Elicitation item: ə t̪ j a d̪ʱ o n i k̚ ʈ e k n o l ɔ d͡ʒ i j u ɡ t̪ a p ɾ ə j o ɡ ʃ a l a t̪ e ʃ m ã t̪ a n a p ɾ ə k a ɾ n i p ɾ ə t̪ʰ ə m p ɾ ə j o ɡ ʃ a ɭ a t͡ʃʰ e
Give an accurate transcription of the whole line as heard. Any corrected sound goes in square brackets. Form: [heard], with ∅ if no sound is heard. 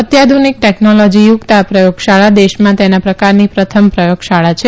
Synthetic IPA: ə t̪ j a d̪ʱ [u] n i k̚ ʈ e k n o l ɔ d͡ʒ i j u ɡ t̪ a p ɾ ə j o ɡ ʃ a [ɭ] a [d̪] e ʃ m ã t̪ [e] n a p ɾ ə k a ɾ n i p ɾ ə t̪ʰ ə m p ɾ ə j o ɡ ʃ a ɭ a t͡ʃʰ e